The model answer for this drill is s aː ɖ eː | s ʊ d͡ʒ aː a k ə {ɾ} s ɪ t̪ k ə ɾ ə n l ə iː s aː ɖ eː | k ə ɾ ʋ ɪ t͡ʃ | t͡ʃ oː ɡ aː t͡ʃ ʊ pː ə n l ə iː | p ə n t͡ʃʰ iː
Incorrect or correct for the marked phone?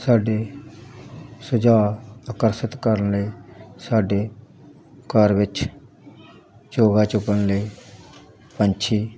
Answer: correct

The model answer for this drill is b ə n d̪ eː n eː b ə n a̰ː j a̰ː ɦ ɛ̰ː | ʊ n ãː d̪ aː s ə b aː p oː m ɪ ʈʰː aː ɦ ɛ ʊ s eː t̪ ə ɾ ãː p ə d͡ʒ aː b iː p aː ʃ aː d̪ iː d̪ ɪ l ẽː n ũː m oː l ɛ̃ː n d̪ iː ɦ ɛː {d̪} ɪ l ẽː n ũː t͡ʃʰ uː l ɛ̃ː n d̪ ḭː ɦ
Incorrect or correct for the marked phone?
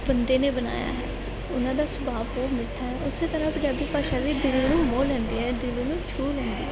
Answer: correct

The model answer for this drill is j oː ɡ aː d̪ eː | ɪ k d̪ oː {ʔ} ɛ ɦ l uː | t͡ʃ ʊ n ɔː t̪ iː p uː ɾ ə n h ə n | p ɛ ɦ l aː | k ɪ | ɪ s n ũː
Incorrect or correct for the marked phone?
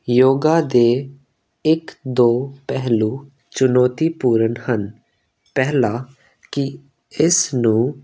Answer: incorrect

